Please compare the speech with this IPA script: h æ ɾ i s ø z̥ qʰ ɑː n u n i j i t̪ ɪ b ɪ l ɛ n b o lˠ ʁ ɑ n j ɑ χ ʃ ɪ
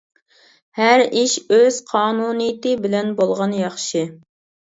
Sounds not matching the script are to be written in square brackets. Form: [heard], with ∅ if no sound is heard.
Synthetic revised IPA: h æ ɾ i [ʃ] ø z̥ qʰ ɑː n u n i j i t̪ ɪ b ɪ l ɛ n b o lˠ ʁ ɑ n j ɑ χ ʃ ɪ